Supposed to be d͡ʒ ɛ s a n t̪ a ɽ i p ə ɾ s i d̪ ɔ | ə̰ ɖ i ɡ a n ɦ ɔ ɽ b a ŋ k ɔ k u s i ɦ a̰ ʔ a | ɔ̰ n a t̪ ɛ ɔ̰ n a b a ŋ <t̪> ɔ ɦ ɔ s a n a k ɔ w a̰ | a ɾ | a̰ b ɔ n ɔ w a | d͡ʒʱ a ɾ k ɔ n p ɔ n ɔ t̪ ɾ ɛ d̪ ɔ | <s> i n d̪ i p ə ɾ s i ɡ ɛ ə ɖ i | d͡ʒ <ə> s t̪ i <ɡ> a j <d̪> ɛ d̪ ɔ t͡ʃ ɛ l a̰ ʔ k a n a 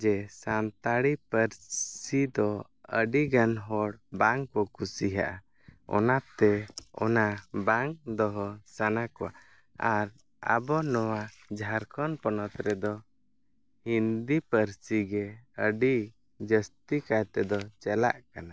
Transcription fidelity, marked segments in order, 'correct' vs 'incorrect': incorrect: d̪, incorrect: h, correct, incorrect: k, incorrect: t̪

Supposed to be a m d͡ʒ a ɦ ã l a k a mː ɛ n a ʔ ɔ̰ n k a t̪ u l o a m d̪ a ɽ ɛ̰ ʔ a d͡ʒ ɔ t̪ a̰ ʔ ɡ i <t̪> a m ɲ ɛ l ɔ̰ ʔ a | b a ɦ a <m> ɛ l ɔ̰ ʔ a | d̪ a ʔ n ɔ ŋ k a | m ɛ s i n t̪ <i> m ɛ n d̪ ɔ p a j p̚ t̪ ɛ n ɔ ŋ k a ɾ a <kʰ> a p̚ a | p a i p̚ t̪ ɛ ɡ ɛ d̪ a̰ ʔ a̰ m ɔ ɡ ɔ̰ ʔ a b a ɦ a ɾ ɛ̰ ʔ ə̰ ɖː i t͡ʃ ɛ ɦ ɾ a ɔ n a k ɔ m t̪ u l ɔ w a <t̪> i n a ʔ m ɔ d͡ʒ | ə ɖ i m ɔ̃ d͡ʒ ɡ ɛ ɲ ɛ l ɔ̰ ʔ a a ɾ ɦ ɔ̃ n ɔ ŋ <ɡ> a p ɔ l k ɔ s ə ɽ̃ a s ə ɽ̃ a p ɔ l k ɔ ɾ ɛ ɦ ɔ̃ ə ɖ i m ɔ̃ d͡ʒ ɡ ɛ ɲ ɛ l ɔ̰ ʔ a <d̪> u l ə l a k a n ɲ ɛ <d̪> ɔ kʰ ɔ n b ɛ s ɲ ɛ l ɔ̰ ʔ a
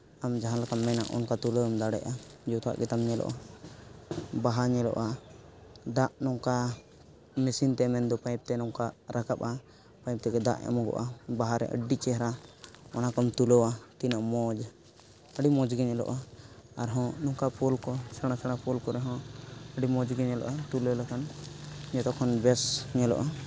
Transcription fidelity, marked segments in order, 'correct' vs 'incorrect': correct, incorrect: ɲ, incorrect: ɛ, incorrect: k, correct, incorrect: k, incorrect: t̪, incorrect: t̪

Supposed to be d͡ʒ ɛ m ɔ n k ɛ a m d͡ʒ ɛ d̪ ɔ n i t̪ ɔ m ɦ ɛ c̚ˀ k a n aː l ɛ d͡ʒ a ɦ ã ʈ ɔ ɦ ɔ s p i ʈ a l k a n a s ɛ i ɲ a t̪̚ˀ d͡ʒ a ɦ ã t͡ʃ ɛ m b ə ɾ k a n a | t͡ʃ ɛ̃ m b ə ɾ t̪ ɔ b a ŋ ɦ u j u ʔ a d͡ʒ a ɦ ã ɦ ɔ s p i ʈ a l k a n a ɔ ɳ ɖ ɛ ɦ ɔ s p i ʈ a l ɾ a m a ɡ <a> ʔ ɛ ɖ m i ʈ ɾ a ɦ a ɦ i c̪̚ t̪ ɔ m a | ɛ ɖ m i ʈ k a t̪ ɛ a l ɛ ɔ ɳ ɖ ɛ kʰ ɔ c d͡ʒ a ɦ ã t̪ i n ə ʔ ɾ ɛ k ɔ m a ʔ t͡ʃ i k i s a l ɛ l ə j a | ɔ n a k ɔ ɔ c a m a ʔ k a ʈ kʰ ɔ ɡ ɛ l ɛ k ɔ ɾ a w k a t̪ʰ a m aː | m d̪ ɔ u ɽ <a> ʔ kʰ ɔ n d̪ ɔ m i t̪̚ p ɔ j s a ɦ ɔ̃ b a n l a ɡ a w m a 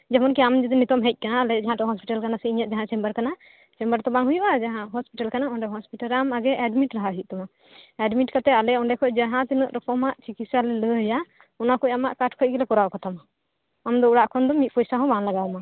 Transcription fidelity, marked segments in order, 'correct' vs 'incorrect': incorrect: ɛ, correct

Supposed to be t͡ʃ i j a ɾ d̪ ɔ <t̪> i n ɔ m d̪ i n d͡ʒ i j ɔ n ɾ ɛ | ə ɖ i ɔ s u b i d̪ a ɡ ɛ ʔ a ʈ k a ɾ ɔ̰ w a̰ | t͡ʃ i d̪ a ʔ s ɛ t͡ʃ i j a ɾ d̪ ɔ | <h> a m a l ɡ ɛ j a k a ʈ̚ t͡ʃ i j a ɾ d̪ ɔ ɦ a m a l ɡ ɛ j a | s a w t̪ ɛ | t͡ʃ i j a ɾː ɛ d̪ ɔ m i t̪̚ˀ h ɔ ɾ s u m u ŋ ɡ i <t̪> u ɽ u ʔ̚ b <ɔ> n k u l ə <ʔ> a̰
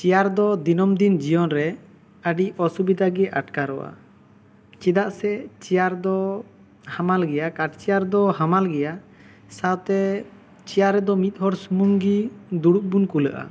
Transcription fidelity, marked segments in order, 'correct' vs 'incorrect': incorrect: d̪, correct, incorrect: d̪, incorrect: u, correct

